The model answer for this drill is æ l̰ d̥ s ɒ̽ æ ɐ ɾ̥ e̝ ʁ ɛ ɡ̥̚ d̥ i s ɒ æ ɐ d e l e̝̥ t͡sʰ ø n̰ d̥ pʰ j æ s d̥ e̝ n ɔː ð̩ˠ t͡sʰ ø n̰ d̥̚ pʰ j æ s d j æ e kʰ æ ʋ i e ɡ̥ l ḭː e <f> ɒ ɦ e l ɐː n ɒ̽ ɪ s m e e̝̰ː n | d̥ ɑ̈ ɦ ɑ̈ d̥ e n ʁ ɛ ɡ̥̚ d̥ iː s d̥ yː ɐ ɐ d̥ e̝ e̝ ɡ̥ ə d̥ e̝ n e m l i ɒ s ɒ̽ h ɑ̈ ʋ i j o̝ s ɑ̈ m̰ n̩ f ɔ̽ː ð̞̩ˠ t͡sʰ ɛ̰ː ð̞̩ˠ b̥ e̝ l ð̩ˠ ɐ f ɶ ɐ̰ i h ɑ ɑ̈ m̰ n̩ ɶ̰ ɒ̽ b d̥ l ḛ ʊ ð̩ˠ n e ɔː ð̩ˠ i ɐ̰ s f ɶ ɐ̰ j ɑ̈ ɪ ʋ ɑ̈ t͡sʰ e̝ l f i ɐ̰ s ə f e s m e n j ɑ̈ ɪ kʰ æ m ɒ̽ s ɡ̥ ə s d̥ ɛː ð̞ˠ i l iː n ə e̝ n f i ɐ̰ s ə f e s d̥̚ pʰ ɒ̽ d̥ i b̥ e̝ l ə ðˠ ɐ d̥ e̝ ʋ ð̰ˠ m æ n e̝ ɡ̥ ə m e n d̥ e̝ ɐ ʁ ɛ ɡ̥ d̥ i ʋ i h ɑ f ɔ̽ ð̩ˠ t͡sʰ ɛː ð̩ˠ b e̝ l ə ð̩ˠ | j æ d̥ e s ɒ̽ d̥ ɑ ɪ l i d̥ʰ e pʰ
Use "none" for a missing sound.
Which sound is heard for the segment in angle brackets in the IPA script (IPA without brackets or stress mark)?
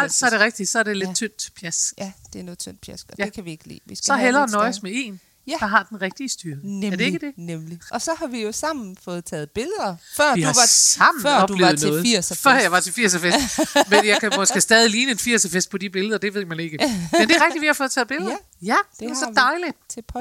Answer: s